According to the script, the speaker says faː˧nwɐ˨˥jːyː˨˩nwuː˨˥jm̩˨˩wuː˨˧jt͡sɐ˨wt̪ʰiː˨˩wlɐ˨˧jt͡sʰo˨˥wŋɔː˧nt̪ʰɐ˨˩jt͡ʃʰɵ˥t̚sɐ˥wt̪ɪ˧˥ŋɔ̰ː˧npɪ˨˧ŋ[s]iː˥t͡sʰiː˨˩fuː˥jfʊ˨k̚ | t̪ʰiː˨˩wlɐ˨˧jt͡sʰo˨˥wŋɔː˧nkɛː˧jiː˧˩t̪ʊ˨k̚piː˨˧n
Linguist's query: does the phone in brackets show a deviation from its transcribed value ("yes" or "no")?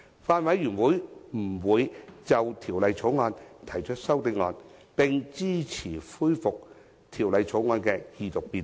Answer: yes